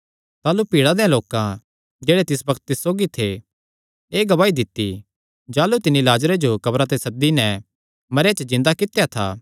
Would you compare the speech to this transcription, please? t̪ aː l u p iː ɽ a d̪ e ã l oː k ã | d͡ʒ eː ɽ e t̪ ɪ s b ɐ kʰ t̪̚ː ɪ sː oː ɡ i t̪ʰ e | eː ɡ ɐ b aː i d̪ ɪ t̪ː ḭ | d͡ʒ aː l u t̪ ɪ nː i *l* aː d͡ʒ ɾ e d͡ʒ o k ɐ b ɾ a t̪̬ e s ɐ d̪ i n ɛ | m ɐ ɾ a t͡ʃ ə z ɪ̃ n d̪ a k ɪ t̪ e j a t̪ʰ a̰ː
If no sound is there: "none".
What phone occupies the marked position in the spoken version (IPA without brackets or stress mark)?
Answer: l